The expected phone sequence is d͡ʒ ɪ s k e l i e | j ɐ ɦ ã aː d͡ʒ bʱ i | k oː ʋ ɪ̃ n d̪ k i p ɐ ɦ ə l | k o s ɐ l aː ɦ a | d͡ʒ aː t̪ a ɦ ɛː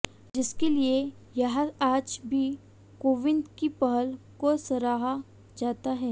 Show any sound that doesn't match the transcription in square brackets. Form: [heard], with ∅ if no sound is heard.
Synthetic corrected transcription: d͡ʒ ɪ s k e l i e | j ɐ ɦ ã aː d͡ʒ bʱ i | k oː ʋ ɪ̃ n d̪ k i p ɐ ɦ ə l | k o s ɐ [ɾ] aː ɦ a | d͡ʒ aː t̪ a ɦ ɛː